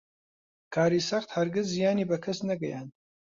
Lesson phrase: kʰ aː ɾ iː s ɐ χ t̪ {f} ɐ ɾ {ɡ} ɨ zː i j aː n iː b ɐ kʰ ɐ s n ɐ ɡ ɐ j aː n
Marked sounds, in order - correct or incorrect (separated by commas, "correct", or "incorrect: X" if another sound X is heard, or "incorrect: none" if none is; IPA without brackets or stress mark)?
incorrect: h, correct